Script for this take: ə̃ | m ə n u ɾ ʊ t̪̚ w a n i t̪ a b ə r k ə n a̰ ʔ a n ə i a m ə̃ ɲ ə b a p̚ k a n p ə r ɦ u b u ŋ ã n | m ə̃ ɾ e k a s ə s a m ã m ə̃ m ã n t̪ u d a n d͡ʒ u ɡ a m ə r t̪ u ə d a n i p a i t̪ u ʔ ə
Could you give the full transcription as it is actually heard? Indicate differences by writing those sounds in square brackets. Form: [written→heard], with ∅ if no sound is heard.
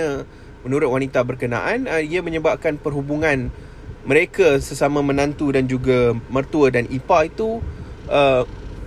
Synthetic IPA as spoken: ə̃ | m ə n u ɾ ʊ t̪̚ w a n i t̪ a b ə r k ə n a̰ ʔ a n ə i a m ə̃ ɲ ə b a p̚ k a n p ə r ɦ u b u ŋ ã n | m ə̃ ɾ e k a s ə s a m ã m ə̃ [m→n] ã n t̪ u d a n d͡ʒ u ɡ a m ə r t̪ u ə d a n i p a i t̪ u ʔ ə